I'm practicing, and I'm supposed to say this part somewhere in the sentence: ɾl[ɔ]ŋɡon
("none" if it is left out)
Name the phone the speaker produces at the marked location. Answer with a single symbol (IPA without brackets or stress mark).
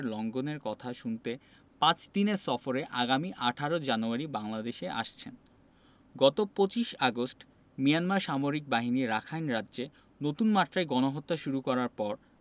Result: ɔ